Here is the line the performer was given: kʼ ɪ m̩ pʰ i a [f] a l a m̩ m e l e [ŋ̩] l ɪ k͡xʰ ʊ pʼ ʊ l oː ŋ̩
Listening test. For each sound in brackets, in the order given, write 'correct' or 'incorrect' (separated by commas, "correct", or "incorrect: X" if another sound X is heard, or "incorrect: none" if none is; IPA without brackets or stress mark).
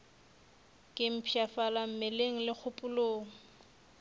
correct, correct